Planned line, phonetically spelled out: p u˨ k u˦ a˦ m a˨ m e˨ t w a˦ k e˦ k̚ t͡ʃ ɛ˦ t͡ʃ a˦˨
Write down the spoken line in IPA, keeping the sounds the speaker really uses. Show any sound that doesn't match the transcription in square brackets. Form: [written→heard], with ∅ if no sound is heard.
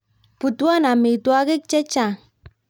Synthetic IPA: p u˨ [k→t] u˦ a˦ [m→n] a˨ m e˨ t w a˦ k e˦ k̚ t͡ʃ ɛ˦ t͡ʃ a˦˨